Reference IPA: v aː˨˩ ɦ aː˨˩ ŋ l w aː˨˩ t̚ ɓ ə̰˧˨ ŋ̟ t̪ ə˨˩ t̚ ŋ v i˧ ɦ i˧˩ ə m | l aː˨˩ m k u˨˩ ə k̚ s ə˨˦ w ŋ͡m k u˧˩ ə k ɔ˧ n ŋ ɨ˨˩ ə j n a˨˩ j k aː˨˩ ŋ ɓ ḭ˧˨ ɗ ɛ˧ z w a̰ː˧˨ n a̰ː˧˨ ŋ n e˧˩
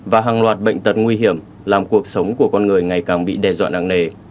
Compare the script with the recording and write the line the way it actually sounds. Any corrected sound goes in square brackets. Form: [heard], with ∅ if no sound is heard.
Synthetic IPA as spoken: v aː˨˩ ɦ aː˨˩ ŋ l w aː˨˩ t̚ ɓ ə̰˧˨ ŋ̟ t̪ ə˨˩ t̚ ŋ [w] i˧ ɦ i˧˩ ə m | l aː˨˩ m k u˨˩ ə k̚ s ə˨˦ w ŋ͡m k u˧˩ ə k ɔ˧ n ŋ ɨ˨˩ ə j [ŋ] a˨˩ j k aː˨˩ ŋ ɓ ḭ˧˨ ɗ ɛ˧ z w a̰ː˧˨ n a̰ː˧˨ ŋ n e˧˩